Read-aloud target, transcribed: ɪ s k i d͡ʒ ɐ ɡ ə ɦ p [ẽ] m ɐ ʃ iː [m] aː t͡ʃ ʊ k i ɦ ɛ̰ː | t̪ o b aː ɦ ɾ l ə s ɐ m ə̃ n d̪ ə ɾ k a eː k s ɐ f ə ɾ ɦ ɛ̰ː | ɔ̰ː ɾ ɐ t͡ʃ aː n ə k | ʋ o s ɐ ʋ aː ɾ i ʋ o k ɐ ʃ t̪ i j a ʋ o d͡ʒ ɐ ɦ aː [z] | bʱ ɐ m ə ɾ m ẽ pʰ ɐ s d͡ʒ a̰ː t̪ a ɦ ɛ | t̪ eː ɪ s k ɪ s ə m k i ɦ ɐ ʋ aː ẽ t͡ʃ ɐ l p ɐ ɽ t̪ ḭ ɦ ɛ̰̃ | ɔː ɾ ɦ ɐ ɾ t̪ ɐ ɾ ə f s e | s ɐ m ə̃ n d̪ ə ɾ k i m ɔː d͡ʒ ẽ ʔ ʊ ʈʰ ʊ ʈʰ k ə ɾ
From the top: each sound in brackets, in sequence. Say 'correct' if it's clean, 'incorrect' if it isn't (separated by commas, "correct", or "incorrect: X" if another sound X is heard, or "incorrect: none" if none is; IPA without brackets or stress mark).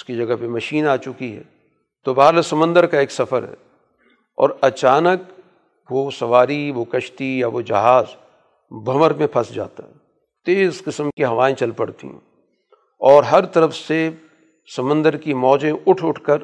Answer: incorrect: e, incorrect: n, correct